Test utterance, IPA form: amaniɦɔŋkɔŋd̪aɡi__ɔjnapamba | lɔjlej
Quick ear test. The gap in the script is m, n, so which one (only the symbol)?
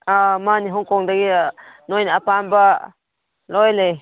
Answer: n